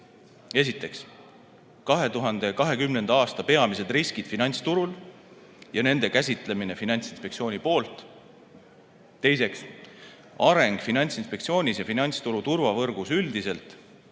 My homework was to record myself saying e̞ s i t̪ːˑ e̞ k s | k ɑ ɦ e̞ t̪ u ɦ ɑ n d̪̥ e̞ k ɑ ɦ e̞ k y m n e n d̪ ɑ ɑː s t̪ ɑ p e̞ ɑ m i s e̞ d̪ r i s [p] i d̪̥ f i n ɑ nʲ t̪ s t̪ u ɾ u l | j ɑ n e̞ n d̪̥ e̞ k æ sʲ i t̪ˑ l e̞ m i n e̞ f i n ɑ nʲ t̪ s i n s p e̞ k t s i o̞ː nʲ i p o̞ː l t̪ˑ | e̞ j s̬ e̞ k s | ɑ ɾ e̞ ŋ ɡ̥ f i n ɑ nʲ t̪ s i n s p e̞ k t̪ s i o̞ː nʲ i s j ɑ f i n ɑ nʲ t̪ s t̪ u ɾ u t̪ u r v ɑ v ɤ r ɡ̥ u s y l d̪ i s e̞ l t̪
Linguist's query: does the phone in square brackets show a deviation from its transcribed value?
yes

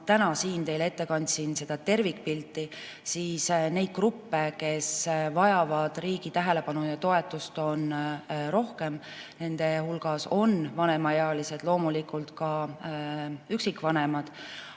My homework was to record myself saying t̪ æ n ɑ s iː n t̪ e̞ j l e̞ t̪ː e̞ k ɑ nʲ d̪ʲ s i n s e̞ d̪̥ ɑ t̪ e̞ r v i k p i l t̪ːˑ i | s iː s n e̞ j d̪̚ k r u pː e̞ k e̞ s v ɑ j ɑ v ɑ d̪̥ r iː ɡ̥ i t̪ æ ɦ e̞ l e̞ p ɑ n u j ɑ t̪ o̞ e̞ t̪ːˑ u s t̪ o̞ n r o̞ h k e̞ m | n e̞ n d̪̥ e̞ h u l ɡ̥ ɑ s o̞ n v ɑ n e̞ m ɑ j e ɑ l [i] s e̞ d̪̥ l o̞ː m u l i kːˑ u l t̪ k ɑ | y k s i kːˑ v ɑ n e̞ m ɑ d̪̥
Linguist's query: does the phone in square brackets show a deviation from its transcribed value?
no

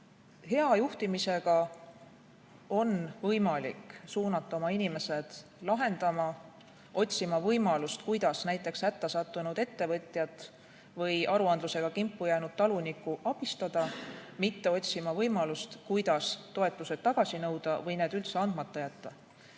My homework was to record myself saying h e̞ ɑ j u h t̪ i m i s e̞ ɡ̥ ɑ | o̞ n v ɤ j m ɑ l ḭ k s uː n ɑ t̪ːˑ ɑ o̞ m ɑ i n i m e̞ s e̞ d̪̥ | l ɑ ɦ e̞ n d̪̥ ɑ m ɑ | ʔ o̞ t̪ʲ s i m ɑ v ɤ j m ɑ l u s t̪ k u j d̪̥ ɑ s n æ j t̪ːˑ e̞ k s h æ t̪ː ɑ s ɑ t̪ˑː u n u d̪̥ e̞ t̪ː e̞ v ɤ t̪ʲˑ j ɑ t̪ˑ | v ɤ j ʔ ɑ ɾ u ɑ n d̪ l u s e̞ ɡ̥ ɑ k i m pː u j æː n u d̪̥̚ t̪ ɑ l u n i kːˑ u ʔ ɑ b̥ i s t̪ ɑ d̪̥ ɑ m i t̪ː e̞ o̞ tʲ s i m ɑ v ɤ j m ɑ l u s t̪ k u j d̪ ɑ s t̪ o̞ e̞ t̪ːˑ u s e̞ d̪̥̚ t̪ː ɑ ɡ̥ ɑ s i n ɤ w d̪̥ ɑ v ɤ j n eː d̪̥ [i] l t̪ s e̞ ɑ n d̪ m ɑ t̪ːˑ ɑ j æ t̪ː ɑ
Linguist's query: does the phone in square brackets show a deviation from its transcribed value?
yes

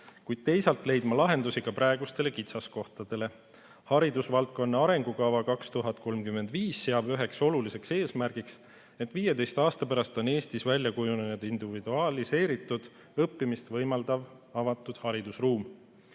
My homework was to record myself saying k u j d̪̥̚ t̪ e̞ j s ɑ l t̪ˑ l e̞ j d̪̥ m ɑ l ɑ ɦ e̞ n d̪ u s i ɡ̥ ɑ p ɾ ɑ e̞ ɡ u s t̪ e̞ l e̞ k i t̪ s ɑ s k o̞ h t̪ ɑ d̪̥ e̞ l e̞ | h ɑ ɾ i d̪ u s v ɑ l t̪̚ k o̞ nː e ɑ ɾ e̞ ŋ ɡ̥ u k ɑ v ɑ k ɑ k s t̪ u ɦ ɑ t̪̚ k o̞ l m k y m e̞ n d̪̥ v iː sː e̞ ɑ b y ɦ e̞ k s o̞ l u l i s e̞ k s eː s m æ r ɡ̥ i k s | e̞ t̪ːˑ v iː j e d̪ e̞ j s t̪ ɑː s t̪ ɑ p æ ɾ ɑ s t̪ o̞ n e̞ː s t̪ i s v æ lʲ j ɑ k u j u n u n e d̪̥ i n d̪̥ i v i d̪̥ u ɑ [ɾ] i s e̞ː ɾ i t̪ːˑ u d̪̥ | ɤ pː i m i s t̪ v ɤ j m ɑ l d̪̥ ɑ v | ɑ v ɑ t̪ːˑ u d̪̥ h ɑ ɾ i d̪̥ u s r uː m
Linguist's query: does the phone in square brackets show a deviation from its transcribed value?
yes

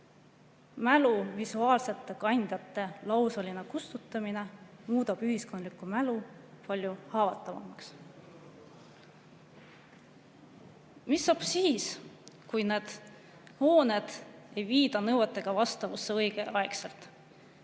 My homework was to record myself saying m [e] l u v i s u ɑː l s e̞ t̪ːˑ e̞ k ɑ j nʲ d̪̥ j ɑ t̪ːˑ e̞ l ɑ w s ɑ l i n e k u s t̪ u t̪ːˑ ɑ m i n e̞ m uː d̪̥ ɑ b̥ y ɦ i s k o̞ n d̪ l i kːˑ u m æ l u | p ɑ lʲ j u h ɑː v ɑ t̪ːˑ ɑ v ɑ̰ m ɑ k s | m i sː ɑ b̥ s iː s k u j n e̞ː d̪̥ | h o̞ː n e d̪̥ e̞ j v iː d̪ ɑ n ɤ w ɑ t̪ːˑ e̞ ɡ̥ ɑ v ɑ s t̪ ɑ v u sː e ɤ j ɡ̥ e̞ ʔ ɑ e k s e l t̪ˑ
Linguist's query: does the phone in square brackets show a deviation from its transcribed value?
yes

